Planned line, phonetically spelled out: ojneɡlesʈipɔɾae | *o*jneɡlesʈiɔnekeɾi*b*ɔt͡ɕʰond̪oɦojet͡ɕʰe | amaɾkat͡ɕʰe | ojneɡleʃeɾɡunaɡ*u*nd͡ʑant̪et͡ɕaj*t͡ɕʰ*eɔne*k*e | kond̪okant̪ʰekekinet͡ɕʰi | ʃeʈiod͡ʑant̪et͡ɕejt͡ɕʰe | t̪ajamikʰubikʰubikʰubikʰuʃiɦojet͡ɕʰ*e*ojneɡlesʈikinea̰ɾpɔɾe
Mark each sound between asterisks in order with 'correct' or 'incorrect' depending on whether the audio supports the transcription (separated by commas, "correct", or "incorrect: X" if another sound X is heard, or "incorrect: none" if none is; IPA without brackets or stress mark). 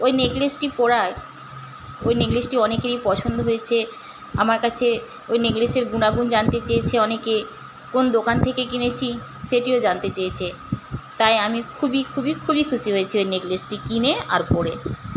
correct, incorrect: p, correct, correct, correct, incorrect: i